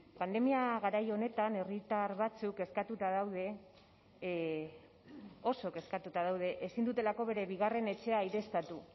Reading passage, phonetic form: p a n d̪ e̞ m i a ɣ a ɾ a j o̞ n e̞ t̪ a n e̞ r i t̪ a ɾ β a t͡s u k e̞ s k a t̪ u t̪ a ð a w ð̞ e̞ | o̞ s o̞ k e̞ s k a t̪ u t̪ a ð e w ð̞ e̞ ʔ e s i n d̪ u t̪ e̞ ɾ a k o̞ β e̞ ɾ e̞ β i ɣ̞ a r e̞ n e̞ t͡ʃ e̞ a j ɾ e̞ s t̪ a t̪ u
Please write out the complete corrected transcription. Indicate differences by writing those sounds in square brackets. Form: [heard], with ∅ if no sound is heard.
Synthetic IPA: p a n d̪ e̞ m i a ɣ a ɾ a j o̞ n e̞ t̪ a n e̞ r i t̪ a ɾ β a t͡s u k e̞ s k a t̪ u t̪ a ð a w ð̞ e̞ | o̞ s o̞ k e̞ s k a t̪ u t̪ a ð [a] w ð̞ e̞ ʔ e s i n d̪ u t̪ e̞ [l] a k o̞ β e̞ ɾ e̞ β i ɣ̞ a r e̞ n e̞ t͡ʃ e̞ a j ɾ e̞ s t̪ a t̪ u